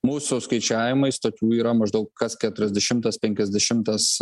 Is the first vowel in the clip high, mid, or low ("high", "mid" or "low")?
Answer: high